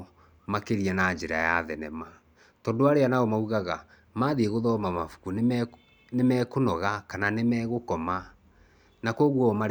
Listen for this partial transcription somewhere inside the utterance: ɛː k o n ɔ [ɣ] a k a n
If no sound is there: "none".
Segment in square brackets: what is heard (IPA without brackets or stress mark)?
ɣ